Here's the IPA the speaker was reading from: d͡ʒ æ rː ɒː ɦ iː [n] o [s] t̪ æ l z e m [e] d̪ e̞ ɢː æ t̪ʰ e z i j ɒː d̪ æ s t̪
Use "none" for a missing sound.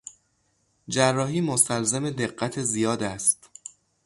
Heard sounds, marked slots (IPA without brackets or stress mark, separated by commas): m, s, e